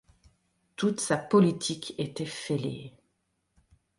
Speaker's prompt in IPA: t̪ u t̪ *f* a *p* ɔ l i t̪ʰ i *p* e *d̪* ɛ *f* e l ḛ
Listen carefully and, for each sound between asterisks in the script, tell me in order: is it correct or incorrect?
incorrect: s, correct, incorrect: k, incorrect: t̪, correct

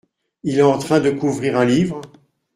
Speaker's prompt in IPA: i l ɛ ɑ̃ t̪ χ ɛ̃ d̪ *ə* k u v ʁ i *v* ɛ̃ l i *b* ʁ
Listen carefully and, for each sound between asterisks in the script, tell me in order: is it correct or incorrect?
correct, incorrect: ʁ, incorrect: v

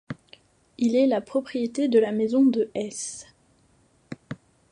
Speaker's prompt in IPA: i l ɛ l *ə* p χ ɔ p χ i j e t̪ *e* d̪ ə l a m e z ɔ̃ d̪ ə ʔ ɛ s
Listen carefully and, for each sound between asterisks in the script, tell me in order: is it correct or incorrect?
incorrect: a, correct

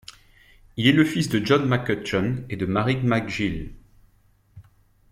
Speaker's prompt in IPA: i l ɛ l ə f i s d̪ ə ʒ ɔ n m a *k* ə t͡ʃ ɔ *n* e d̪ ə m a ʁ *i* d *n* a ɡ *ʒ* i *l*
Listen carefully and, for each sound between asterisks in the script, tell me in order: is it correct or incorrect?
correct, correct, correct, incorrect: m, correct, correct

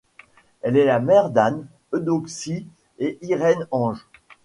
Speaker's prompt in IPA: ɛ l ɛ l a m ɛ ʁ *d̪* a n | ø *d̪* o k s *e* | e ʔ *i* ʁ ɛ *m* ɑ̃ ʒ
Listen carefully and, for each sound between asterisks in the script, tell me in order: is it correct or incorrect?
correct, correct, incorrect: i, correct, incorrect: n

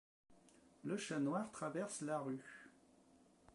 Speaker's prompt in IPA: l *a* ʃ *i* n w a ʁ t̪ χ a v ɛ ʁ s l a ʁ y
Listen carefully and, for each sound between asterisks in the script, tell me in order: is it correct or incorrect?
incorrect: ə, incorrect: a

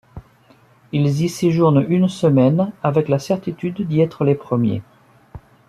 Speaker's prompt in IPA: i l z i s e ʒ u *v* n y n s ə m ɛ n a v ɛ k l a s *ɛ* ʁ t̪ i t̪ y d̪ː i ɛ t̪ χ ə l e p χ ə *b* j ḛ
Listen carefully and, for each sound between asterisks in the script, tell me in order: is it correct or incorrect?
incorrect: ʁ, correct, incorrect: m

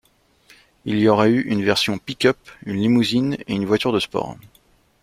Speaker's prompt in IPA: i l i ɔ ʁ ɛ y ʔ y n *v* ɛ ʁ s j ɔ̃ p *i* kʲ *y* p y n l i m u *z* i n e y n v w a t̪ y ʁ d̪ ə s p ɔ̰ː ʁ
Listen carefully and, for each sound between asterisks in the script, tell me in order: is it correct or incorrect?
correct, correct, incorrect: œ, correct

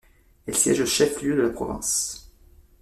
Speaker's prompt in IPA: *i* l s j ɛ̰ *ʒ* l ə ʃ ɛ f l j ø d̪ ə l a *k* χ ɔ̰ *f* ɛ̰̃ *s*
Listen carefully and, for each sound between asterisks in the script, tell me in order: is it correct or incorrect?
incorrect: ɛ, correct, incorrect: p, incorrect: v, correct

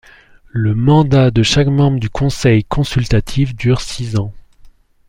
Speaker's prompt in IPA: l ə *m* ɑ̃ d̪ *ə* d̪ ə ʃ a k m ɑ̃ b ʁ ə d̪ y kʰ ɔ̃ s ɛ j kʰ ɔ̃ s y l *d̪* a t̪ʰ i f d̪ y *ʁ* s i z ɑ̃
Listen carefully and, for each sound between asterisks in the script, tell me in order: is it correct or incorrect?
correct, incorrect: a, incorrect: t̪, correct

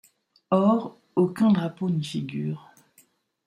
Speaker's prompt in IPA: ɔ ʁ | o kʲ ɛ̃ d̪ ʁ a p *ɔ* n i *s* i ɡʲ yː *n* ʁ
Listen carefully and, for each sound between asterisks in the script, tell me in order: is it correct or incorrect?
incorrect: o, incorrect: f, incorrect: none

